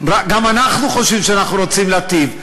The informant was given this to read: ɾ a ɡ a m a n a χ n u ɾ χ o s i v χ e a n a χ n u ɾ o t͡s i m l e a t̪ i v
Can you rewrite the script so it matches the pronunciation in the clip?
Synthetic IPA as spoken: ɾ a ɡ a m a n a χ n u χ o ʃ i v ʃ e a n a χ n u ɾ o t͡s i m l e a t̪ i v